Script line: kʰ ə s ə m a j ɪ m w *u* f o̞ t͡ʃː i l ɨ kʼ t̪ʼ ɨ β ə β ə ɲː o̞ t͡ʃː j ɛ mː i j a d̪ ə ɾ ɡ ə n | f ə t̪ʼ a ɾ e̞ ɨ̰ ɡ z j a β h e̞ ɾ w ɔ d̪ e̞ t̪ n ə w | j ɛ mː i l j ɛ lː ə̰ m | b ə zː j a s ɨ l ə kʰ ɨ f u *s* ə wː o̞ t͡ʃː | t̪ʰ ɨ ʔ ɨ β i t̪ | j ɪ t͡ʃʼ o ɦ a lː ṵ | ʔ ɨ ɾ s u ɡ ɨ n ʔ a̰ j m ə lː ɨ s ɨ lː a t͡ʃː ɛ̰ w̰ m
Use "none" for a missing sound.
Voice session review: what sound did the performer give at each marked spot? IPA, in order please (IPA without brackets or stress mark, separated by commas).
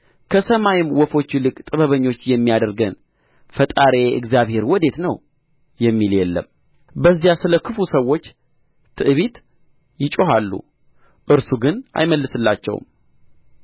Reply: ɔ, s